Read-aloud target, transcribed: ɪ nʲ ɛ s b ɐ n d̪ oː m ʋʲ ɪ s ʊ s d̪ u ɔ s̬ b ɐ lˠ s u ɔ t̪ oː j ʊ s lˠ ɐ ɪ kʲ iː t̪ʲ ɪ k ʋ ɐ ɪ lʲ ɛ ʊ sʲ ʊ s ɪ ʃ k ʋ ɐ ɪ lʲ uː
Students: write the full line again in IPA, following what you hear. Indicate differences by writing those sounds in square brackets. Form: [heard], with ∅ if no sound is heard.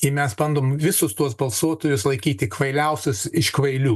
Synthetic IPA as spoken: ɪ [mʲ] ɛ s b ɐ n d̪ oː m ʋʲ ɪ s ʊ s [t̪] u ɔ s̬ b ɐ lˠ s u ɔ t̪ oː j ʊ s lˠ ɐ ɪ kʲ iː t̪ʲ ɪ k ʋ ɐ ɪ lʲ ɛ ʊ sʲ ʊ s ɪ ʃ k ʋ ɐ ɪ lʲ uː